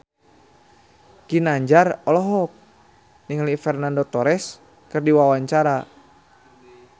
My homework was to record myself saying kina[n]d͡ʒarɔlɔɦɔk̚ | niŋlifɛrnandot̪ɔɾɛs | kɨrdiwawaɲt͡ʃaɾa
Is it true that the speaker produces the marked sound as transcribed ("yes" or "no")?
no